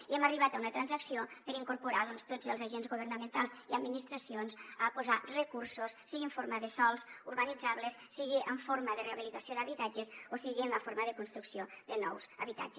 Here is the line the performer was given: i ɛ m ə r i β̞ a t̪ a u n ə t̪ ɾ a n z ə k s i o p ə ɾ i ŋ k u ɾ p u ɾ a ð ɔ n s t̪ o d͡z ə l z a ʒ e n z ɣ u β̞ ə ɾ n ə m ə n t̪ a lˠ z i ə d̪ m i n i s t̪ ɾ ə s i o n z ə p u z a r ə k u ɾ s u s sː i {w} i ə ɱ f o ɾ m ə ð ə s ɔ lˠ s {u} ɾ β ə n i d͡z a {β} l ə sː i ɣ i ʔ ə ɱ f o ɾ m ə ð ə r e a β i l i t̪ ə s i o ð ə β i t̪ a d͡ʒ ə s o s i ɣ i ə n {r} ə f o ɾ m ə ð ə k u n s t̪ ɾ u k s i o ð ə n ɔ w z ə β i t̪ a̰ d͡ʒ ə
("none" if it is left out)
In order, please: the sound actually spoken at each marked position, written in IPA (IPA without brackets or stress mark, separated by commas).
ɣ, u, β, l